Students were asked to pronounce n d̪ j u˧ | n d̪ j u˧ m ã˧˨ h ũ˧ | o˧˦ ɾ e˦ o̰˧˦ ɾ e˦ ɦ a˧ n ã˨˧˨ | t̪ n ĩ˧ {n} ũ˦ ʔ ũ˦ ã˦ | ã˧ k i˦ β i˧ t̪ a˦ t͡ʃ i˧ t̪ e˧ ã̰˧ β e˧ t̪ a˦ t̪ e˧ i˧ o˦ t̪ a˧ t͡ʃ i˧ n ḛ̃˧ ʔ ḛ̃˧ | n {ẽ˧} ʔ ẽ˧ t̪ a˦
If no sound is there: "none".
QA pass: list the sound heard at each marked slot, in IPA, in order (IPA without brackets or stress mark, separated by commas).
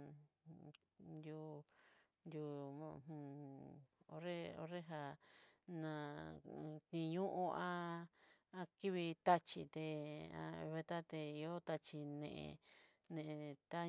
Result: ɲ, ẽ˧